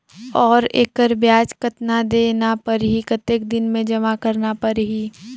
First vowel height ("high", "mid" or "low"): mid